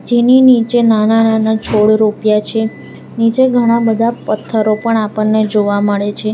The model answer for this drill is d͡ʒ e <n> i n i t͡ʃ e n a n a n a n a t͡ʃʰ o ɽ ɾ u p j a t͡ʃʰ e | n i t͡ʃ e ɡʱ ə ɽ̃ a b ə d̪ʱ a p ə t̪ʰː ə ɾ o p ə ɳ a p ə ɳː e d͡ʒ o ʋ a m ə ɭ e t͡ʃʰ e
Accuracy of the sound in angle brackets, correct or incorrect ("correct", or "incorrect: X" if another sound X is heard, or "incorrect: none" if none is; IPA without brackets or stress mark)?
correct